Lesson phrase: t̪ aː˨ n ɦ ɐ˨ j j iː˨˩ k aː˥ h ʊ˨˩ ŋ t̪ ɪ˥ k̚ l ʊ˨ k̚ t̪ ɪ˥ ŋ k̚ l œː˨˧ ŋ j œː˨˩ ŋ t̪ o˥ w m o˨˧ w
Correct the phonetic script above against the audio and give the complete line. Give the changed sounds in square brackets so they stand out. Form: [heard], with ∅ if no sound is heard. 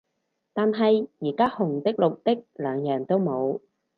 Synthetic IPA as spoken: t̪ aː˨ n ɦ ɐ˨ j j iː˨˩ k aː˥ h ʊ˨˩ ŋ t̪ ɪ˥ k̚ l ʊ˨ k̚ t̪ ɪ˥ [∅] k̚ l œː˨˧ ŋ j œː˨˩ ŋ t̪ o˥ w m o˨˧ w

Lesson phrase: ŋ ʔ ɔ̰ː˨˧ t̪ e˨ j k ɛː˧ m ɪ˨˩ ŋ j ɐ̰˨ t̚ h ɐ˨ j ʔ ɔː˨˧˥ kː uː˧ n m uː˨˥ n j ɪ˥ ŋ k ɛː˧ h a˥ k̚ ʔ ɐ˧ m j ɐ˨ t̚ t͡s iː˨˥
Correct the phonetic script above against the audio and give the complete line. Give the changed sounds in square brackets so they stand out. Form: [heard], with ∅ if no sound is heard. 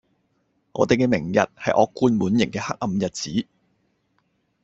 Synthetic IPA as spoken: ŋ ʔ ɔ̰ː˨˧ t̪ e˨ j k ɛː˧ m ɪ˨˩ ŋ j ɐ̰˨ t̚ h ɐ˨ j ʔ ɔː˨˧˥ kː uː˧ n m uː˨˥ n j [ɪ˨˩] ŋ k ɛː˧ h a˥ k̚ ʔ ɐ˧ m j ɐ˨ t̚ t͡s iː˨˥

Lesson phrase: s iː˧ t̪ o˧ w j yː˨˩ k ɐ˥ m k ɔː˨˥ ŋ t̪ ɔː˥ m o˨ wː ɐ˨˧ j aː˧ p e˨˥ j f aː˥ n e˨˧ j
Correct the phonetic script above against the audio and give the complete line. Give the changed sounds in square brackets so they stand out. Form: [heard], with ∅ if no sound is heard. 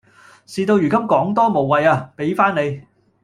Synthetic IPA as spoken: s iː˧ t̪ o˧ w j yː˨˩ k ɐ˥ m k ɔː˨˥ ŋ t̪ ɔː˥ m o˨ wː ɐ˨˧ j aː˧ p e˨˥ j f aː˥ n e˨˧ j

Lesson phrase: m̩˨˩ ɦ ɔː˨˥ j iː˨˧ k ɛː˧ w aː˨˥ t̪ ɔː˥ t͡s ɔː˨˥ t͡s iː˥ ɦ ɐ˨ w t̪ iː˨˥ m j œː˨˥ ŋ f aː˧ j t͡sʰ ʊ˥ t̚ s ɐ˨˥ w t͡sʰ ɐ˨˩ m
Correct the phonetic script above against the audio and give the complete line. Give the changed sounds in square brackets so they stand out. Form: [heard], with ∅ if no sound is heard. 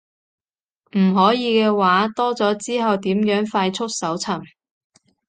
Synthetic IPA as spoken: m̩˨˩ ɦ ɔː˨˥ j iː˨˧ k ɛː˧ w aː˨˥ t̪ ɔː˥ t͡s ɔː˨˥ t͡s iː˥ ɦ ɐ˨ w t̪ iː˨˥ m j œː˨˥ ŋ f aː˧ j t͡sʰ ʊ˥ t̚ s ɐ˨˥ w t͡sʰ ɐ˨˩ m

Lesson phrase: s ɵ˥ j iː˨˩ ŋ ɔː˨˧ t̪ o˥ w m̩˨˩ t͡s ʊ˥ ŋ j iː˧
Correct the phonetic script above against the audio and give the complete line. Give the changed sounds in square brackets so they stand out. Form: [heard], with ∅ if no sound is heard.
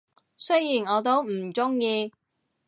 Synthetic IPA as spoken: s ɵ˥ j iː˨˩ [n] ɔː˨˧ t̪ o˥ w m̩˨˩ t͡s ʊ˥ ŋ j iː˧

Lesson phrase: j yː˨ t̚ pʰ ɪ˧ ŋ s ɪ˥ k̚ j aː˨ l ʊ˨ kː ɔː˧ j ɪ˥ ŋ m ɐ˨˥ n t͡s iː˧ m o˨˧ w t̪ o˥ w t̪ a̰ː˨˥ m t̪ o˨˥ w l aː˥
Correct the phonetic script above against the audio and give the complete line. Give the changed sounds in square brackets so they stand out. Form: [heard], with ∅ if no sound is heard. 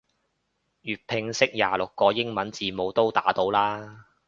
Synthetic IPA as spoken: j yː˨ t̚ pʰ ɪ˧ ŋ s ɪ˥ k̚ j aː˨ l ʊ˨ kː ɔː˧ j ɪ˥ ŋ m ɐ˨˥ n t͡s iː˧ m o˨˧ w t̪ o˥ w t̪ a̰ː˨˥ [∅] t̪ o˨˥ w l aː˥

